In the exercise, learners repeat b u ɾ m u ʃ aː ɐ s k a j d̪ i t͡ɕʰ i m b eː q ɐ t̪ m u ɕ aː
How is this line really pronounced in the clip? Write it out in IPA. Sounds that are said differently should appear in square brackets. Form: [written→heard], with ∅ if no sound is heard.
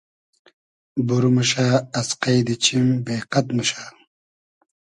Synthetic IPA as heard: b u ɾ m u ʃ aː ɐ s [k→q] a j d̪ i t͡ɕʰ i m b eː q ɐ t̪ m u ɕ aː